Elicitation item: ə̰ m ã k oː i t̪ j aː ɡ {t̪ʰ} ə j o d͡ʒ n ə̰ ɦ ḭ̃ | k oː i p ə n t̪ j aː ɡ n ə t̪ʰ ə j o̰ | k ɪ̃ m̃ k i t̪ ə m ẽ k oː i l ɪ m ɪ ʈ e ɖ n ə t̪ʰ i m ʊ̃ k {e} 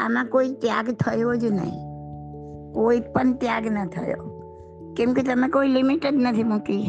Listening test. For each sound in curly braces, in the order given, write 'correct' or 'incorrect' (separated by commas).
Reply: correct, incorrect